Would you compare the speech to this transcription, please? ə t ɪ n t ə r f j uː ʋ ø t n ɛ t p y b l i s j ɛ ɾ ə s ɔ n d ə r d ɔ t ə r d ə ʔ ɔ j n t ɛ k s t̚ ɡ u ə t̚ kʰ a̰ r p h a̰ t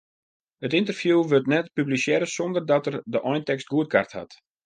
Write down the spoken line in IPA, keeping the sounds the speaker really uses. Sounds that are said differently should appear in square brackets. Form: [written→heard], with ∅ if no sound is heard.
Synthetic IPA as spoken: ə t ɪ n t ə r f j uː ʋ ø t n ɛ t p y b l i s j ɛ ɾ ə s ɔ n d ə r d ɔ t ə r d ə ʔ ɔ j n t ɛ k s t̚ ɡ u ə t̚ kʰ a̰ r [p→t] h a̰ t